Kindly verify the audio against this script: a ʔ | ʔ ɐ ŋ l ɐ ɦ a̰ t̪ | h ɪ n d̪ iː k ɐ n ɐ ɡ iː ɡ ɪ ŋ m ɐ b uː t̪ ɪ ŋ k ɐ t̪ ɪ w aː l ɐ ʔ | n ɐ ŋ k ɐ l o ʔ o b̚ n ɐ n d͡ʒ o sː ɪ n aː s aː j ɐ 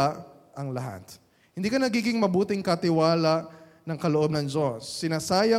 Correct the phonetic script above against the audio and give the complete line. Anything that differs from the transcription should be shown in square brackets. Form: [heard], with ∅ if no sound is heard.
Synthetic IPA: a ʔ | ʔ ɐ ŋ l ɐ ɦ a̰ t̪ | h ɪ n d̪ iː k ɐ n ɐ ɡ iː ɡ ɪ ŋ m ɐ b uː t̪ ɪ ŋ k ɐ t̪ ɪ w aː l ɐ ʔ | n ɐ ŋ k ɐ l o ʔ o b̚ n ɐ [ŋ] d͡ʒ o sː ɪ n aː s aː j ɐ